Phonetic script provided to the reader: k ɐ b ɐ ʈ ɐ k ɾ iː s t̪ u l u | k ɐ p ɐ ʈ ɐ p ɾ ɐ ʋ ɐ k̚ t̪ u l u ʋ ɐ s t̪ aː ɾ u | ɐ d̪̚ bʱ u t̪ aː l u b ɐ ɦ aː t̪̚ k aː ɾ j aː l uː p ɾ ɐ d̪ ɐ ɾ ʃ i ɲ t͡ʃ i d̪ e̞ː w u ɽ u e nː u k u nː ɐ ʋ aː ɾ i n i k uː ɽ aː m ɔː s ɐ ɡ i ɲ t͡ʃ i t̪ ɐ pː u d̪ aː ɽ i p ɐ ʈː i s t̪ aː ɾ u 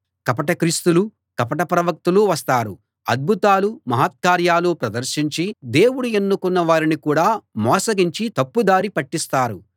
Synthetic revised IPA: k ɐ p ɐ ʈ ɐ k ɾ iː s t̪ u l u | k ɐ p ɐ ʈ ɐ p ɾ ɐ ʋ ɐ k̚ t̪ u l u ʋ ɐ s t̪ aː ɾ u | ɐ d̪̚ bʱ u t̪ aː l u m ɐ ɦ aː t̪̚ k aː ɾ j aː l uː p ɾ ɐ d̪ ɐ ɾ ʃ i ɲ t͡ʃ i d̪ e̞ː w u ɽ u e nː u k u nː ɐ ʋ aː ɾ i n i k uː ɽ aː m ɔː s ɐ ɡ i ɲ t͡ʃ i t̪ ɐ pː u d̪ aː ɾ i p ɐ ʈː i s t̪ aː ɾ u